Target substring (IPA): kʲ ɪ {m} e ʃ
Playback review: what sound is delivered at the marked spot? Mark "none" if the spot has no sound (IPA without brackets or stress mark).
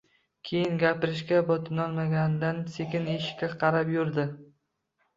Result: n